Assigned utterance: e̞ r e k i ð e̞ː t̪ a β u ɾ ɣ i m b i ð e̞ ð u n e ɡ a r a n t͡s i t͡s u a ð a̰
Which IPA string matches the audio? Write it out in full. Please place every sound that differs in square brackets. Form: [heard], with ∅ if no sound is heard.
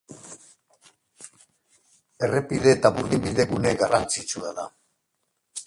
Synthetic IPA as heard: e̞ r e [p] i ð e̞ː t̪ a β u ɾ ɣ i m b i ð e̞ [ɣ] u n e ɡ a r a n t͡s i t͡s u a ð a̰